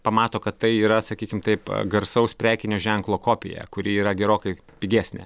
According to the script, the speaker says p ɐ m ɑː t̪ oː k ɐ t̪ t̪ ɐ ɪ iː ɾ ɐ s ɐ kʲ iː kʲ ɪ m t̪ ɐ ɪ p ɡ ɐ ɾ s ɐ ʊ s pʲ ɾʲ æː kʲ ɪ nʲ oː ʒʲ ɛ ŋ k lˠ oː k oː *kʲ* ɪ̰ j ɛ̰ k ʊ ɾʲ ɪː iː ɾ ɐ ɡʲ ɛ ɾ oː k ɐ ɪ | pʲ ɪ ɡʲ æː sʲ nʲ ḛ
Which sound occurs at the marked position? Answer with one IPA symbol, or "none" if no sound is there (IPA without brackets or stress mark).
pʲ